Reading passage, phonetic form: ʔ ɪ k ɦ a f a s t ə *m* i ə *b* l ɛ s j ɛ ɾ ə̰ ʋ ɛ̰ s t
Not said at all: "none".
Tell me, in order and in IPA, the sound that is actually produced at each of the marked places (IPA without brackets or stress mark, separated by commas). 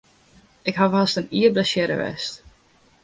n, b